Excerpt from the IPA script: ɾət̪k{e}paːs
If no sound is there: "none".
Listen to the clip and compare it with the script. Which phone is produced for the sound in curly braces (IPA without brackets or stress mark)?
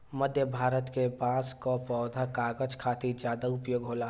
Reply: e